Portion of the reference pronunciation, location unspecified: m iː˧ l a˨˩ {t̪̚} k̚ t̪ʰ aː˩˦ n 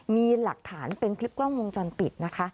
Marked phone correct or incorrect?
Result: incorrect